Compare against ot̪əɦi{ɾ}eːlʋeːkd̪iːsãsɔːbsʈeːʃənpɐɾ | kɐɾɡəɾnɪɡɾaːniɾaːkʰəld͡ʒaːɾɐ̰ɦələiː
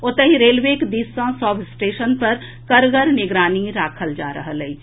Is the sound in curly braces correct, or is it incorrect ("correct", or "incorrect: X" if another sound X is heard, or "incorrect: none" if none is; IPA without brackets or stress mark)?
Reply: correct